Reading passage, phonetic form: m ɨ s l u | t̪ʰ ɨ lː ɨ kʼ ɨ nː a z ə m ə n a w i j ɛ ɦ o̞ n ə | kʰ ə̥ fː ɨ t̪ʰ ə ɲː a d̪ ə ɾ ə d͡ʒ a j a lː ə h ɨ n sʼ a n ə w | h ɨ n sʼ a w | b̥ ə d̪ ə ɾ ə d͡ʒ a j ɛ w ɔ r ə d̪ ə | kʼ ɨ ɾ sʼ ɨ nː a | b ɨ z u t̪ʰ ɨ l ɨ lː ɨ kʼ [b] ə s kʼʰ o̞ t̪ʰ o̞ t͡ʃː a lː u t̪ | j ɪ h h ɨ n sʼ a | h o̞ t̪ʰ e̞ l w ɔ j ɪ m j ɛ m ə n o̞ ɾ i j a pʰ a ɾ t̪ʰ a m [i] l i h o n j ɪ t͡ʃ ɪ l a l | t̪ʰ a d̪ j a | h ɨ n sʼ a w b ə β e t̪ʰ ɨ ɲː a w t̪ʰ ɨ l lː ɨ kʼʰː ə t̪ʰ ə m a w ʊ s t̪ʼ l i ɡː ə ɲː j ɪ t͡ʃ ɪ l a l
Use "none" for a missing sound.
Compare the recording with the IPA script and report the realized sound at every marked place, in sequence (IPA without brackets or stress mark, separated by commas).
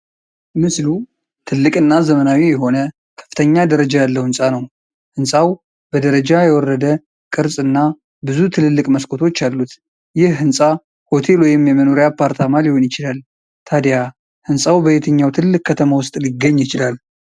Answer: m, a